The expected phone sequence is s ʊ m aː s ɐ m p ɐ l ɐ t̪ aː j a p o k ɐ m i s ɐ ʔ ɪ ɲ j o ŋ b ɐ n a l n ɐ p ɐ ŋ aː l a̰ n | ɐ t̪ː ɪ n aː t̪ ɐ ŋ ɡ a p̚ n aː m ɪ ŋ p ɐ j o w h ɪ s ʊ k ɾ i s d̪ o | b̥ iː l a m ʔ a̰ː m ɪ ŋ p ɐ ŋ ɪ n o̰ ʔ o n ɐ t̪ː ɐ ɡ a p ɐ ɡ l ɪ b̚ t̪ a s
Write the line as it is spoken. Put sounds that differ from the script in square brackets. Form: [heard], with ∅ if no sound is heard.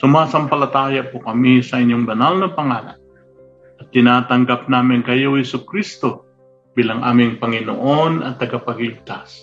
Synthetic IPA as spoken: s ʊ m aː s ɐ m p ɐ l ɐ t̪ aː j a p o k ɐ m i s ɐ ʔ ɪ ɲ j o ŋ b ɐ n a l n ɐ p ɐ ŋ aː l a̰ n | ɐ t̪ː ɪ n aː t̪ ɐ ŋ ɡ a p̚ n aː m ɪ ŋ [k] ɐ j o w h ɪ s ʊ k ɾ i s [t̪] o | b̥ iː l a [ŋ] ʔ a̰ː m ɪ ŋ p ɐ ŋ ɪ n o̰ ʔ o n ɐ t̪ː ɐ ɡ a p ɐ ɡ l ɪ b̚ t̪ a s